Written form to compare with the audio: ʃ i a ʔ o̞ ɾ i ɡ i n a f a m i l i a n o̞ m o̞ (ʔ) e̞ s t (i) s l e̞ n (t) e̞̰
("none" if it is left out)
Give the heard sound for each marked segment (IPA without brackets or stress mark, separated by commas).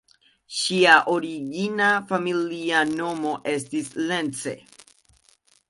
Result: ʔ, i, t͡s